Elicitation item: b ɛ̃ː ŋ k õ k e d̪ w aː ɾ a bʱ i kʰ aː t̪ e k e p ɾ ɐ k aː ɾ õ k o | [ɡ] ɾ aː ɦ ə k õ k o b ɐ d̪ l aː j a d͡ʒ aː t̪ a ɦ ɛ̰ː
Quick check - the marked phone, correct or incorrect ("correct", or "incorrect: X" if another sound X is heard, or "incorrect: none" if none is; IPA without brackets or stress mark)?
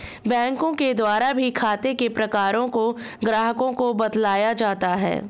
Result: correct